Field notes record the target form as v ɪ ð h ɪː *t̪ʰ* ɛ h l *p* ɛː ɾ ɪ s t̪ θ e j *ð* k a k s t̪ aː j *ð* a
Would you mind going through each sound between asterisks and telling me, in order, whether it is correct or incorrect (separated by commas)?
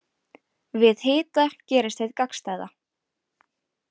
incorrect, incorrect, correct, correct